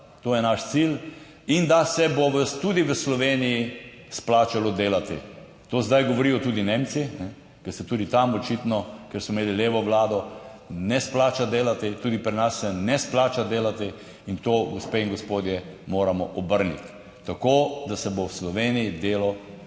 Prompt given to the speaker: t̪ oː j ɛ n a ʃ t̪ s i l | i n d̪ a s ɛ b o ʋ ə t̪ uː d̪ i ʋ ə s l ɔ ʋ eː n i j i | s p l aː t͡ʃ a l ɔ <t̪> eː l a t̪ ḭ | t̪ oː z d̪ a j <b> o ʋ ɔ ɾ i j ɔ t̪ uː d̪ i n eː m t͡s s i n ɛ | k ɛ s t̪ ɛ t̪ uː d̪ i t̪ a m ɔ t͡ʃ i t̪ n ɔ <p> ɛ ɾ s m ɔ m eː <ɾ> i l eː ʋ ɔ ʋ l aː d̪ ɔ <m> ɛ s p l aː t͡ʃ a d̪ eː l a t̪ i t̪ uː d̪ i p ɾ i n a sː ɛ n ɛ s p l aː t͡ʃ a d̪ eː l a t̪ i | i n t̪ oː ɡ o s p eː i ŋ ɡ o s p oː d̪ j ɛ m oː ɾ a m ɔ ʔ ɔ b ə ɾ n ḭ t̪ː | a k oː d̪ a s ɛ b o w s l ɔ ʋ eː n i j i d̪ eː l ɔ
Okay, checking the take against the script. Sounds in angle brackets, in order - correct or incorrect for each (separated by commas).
incorrect, incorrect, incorrect, incorrect, incorrect